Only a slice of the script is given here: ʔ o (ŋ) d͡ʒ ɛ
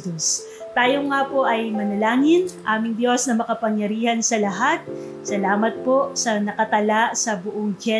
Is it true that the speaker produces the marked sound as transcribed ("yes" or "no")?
yes